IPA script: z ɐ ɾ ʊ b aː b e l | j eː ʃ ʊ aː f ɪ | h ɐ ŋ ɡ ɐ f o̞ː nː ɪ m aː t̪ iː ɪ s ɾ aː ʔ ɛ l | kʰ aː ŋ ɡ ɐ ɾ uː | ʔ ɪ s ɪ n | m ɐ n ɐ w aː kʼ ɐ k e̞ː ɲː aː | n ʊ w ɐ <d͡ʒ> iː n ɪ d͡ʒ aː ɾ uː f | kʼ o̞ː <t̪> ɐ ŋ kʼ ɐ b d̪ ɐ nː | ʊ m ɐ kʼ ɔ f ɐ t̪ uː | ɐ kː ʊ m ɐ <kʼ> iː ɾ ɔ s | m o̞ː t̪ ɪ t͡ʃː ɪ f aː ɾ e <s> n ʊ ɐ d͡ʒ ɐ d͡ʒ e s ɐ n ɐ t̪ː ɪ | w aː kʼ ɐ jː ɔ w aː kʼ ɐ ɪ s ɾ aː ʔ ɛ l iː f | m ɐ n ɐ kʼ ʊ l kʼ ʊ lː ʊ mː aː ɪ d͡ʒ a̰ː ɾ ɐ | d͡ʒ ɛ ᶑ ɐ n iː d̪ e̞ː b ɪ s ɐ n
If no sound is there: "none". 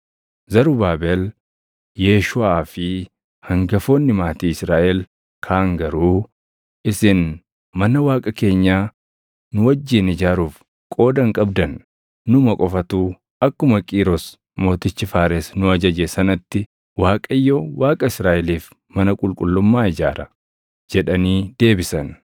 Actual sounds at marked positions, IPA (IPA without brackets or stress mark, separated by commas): d͡ʒː, d̪, kʼ, s